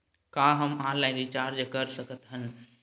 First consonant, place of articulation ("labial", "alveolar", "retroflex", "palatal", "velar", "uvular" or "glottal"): velar